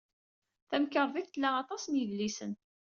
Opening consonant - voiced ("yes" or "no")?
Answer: no